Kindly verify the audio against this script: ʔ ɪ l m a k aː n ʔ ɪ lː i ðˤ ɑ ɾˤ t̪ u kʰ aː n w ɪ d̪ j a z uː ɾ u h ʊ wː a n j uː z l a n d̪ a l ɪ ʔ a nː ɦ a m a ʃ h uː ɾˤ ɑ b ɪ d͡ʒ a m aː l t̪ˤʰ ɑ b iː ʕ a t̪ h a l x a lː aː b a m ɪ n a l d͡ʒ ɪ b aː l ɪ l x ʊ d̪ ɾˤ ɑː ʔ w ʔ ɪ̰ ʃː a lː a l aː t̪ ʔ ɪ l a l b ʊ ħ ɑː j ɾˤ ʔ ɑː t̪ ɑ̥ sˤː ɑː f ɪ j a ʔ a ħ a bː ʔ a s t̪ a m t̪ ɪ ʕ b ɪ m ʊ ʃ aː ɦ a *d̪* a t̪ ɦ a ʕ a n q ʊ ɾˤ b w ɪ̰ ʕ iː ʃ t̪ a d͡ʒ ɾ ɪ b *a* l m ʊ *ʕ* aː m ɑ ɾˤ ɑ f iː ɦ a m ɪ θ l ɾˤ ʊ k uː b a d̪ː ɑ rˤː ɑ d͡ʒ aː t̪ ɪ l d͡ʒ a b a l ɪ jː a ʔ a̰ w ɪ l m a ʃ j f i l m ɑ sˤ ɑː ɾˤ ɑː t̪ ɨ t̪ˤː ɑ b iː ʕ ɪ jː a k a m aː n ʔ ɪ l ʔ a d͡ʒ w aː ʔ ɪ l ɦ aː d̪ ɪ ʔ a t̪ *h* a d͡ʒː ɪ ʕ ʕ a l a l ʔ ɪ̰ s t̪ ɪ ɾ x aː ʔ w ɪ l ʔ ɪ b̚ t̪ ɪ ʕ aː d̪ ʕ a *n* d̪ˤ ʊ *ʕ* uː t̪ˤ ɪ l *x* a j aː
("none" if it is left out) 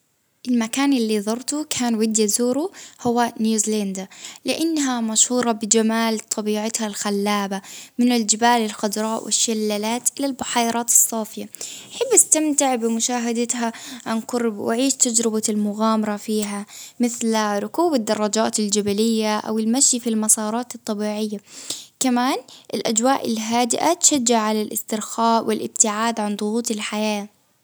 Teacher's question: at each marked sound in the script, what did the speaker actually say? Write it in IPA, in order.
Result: d̪, a, ɣ, ʃ, n, ɣ, ħ

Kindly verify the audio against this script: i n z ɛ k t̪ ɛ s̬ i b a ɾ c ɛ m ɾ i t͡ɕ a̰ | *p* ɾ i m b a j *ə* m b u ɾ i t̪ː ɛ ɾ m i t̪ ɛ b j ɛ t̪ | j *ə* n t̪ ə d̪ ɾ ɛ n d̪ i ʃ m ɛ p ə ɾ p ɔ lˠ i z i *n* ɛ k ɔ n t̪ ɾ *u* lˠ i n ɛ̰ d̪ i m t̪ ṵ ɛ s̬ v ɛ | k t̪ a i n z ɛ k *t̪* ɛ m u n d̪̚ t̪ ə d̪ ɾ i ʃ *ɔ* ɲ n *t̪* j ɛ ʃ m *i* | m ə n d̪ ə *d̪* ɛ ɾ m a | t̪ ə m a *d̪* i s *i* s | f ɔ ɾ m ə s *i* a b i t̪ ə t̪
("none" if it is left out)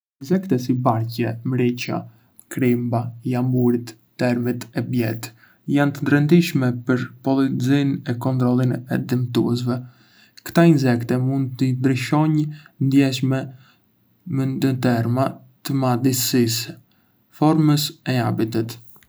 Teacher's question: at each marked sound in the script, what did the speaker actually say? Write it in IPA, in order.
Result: k, a, a, n, ɔ, t̪, ɔ, d̪, ɛ, t̪, d̪, i, ɛ

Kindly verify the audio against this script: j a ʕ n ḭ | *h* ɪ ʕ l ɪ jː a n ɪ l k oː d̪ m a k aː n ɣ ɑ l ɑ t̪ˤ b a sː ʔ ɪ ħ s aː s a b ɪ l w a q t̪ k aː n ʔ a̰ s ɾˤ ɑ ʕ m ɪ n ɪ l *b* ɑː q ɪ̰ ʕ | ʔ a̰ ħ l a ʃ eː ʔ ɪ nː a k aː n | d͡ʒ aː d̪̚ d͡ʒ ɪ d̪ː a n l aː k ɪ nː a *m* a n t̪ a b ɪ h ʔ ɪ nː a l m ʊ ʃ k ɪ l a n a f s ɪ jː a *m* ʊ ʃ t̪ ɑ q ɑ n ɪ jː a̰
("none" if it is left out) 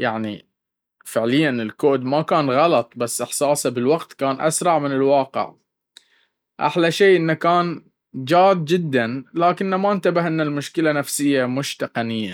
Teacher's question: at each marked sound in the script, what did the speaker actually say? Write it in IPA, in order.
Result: f, w, m, m

